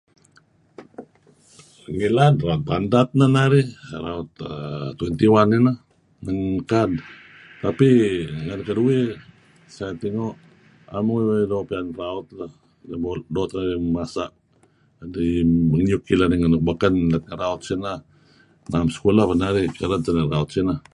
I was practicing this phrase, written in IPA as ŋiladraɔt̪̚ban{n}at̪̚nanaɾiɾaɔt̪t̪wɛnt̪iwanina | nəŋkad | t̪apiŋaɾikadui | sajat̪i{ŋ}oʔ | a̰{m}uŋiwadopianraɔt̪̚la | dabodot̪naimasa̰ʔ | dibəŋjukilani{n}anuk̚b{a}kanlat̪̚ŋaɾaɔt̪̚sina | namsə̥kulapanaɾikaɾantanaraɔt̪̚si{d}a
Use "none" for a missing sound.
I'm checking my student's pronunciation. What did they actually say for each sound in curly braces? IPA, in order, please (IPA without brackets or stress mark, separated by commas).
d, ŋ, m, ŋ, a, n